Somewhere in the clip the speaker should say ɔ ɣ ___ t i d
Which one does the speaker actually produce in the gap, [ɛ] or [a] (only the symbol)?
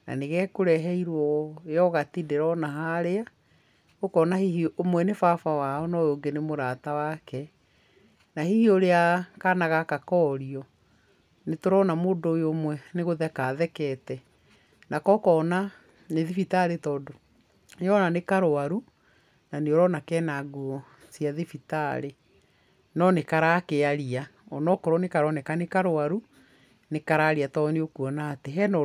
a